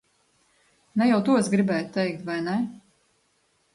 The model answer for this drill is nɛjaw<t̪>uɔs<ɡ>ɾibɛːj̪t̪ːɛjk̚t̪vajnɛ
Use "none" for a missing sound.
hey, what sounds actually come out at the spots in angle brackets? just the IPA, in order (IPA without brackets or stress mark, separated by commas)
t̪, ɡ